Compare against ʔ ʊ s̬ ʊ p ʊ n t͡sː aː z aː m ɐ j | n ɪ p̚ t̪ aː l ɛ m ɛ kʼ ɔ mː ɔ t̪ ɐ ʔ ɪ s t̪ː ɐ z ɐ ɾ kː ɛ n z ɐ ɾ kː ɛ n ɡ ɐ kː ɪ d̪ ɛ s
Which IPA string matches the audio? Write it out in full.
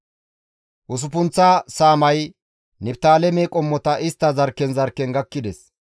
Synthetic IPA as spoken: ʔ ʊ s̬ ʊ p ʊ n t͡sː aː s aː m ɐ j | n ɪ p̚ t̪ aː l ɛ m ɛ kʼ ɔ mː ɔ t̪ ɐ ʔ ɪ s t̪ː ɐ z ɐ ɾ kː ɛ n z ɐ ɾ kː ɛ n ɡ ɐ kː ɪ d̪ ɛ s